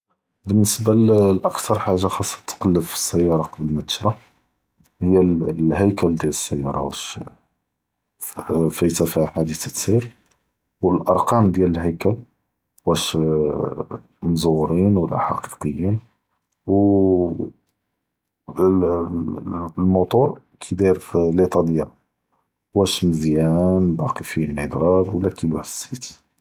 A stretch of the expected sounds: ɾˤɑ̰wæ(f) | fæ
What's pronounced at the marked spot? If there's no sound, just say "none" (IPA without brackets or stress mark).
ʃ